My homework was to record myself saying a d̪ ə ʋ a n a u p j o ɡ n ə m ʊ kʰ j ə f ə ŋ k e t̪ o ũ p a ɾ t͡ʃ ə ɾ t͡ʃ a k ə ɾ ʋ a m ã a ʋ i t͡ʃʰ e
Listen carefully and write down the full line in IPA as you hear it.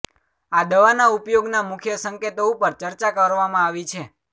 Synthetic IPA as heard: a d̪ ə ʋ a n a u p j o ɡ n a m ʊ kʰ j ə s ə ŋ k e t̪ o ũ p ə ɾ t͡ʃ ə ɾ t͡ʃ a k ə ɾ ʋ a m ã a ʋ i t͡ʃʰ e

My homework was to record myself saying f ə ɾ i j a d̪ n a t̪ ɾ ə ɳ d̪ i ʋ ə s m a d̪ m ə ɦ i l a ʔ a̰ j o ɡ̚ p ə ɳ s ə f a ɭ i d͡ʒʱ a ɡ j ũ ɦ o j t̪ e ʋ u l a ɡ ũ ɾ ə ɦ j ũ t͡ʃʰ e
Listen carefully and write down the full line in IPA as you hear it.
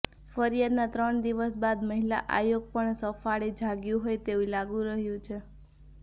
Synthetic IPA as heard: f ə ɾ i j a d̪ n a t̪ ɾ ə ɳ d̪ i ʋ ə s b a d̪ m ə ɦ i l a ʔ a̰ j o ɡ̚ p ə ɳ s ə f a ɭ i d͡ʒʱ a ɡ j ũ ɦ o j t̪ e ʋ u l a ɡ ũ ɾ ə ɦ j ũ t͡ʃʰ e

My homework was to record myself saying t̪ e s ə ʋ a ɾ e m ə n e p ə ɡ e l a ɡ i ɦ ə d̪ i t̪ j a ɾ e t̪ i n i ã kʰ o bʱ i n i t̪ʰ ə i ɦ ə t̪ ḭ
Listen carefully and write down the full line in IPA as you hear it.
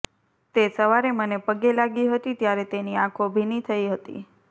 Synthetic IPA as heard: t̪ e s ə ʋ a ɾ e m ə n e p ə ɡ e l a ɡ i ɦ ə t̪ i t̪ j a ɾ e t̪ e n i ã kʰ o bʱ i n i t̪ʰ ə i ɦ ə t̪ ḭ

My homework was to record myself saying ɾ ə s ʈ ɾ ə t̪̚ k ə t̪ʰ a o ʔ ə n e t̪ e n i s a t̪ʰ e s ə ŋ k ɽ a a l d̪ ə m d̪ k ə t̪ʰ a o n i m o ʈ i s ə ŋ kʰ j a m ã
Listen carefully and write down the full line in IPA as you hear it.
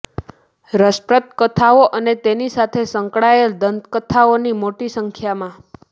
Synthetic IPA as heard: ɾ ə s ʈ ɾ ə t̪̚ k ə t̪ʰ a o ʔ ə n e t̪ e n i s a t̪ʰ e s ə ŋ k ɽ a e l d̪ ə n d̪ k ə t̪ʰ a o n i m o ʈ i s ə ŋ kʰ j a m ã

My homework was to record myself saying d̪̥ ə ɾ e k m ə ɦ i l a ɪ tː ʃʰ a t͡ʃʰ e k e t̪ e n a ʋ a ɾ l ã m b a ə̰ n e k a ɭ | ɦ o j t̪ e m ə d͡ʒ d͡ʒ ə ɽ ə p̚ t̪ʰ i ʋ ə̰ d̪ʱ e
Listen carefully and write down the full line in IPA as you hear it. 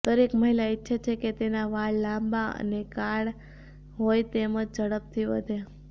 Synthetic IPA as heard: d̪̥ ə ɾ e k m ə ɦ i l a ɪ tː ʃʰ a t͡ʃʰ e k e t̪ e n a ʋ a ɭ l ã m b a ə̰ n e k a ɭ | ɦ o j t̪ e m ə d͡ʒ d͡ʒ ə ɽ ə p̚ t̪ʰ i ʋ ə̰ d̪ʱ e

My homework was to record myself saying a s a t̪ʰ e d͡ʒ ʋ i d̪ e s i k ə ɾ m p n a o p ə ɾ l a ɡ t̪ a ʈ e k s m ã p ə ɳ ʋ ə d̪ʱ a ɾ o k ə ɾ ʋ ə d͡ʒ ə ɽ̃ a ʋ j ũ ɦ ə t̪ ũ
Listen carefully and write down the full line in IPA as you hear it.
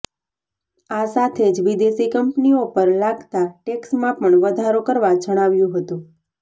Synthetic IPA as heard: a s a t̪ʰ e d͡ʒ ʋ i d̪ e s i k ə m p n i o p ə ɾ l a ɡ t̪ a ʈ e k s m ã p ə ɳ ʋ ə d̪ʱ a ɾ o k ə ɾ ʋ a d͡ʒ ə ɽ̃ a ʋ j ũ ɦ ə t̪ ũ

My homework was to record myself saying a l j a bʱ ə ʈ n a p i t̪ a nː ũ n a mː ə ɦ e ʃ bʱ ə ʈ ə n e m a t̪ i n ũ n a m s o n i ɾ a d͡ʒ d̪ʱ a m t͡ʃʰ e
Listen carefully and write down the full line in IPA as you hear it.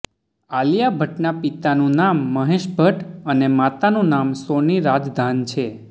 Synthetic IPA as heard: a l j a bʱ ə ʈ n a p i t̪ a n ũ n a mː ə ɦ e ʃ bʱ ə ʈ ə n e m a t̪ a n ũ n a m s o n i ɾ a d͡ʒ d̪ʱ a n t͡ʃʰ e

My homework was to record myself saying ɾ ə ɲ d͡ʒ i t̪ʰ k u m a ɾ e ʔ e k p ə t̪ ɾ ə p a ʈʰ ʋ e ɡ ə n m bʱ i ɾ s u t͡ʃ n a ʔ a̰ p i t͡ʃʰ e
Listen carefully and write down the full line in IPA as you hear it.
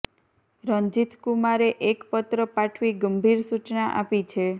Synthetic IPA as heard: ɾ ə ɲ d͡ʒ i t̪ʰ k u m a ɾ e ʔ e k p ə t̪ ɾ ə p a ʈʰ ʋ i ɡ ə m bʱ i ɾ s u t͡ʃ n a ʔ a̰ p i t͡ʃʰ e

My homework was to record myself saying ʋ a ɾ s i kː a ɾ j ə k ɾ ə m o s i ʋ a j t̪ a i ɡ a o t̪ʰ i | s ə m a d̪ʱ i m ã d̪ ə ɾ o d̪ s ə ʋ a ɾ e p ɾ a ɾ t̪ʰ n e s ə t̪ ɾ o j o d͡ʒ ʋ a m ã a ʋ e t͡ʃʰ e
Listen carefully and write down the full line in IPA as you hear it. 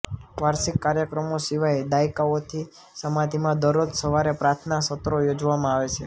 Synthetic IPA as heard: ʋ a ɾ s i kː a ɾ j ə k ɾ ə m o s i ʋ a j d̪ a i k a o t̪ʰ i | s ə m a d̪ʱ i m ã d̪ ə ɾ o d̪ s ə ʋ a ɾ e p ɾ a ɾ t̪ʰ n a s ə t̪ ɾ o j o d͡ʒ ʋ a m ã a ʋ e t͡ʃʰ e

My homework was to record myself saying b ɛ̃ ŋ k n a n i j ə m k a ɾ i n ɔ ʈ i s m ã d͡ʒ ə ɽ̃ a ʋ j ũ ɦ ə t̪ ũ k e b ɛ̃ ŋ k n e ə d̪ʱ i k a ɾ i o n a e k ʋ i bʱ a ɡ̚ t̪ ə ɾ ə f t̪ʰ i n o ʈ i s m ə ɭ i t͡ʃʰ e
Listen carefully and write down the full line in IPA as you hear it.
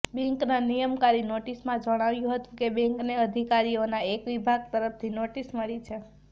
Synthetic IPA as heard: b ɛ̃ ŋ k n a n i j ə m k a ɾ i n o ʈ i s m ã d͡ʒ ə ɽ̃ a ʋ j ũ ɦ ə t̪ ũ k e b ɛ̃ ŋ k n e ə d̪ʱ i k a ɾ i o n a e k ʋ i bʱ a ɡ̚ t̪ ə ɾ ə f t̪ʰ i n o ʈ i s m ə ɭ i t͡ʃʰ e

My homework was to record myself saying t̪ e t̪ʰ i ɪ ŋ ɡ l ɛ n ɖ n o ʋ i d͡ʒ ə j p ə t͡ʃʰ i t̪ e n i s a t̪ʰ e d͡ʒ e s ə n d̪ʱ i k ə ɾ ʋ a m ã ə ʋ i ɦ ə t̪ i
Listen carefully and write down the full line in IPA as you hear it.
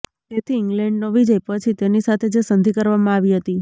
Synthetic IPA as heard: t̪ e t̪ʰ i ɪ ŋ ɡ l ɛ ɳ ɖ n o ʋ i d͡ʒ ə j p ə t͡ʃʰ i t̪ e n i s a t̪ʰ e d͡ʒ e s ə n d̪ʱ i k ə ɾ ʋ a m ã a ʋ i ɦ ə t̪ i

